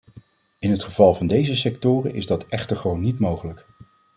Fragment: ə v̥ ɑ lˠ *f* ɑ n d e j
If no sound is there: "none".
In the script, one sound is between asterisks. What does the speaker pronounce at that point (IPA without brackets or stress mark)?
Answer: v